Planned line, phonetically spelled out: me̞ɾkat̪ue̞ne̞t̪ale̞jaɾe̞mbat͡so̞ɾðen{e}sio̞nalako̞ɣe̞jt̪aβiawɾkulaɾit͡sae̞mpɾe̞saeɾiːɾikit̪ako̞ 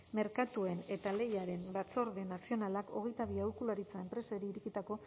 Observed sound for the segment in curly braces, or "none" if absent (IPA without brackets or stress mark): a